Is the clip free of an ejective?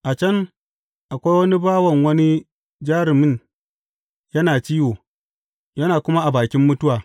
yes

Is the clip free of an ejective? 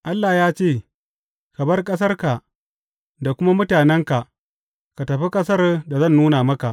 no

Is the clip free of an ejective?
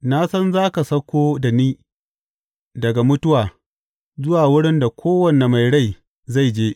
yes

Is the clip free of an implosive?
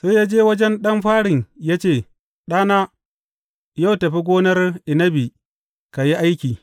no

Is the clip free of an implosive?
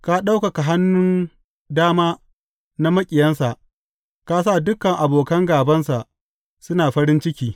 no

